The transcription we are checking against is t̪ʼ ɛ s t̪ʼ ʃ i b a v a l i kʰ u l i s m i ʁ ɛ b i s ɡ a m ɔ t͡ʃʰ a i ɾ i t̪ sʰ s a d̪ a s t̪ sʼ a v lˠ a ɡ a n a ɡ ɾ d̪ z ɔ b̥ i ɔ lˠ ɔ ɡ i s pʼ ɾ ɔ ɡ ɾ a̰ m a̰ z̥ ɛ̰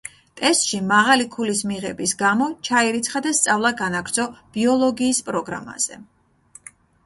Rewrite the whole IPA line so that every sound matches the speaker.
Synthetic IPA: t̪ʼ ɛ s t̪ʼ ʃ i m a ʁ a l i kʰ u l i s m i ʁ ɛ b i s ɡ a m ɔ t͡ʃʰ a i ɾ i t̪ sʰ χ a d̪ a s t̪ sʼ a v lˠ a ɡ a n a ɡ ɾ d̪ z ɔ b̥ i ɔ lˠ ɔ ɡ iː s pʼ ɾ ɔ ɡ ɾ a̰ m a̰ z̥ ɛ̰